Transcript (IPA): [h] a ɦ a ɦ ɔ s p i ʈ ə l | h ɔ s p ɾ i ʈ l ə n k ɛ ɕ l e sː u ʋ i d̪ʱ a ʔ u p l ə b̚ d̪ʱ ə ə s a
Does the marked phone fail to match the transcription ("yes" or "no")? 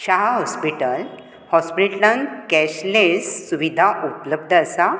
yes